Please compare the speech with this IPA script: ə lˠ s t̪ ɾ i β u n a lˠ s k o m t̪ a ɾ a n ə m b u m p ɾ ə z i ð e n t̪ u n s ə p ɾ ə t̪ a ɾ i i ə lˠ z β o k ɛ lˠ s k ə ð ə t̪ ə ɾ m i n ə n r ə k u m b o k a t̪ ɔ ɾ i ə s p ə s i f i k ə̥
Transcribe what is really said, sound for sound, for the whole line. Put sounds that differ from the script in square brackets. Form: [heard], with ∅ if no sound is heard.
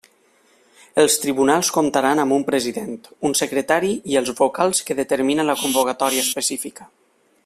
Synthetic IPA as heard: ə lˠ s t̪ ɾ i β u n a lˠ s k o m t̪ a ɾ a n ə m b u m p ɾ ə z i ð e n t̪ u n s ə [k] ɾ ə t̪ a ɾ i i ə lˠ z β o k [a] lˠ s k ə ð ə t̪ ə ɾ m i n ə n [l] ə k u m b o k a t̪ ɔ ɾ i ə s p ə s i f i k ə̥